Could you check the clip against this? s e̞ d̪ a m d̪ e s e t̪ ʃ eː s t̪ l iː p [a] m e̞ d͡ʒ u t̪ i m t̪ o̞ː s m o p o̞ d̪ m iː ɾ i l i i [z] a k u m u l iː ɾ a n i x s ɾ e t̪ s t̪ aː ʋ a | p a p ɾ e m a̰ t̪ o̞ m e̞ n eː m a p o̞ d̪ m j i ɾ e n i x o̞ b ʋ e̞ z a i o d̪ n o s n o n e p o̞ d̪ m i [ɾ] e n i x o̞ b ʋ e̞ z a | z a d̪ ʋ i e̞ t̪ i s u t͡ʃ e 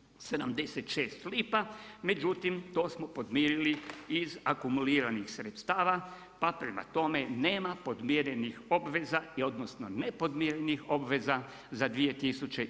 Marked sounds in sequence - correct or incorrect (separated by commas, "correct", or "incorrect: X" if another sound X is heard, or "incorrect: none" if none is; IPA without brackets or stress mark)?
correct, correct, correct